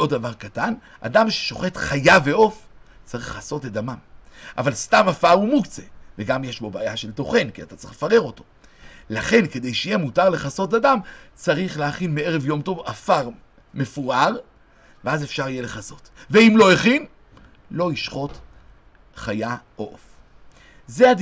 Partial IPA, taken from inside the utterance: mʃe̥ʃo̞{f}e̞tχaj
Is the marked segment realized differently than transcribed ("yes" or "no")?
yes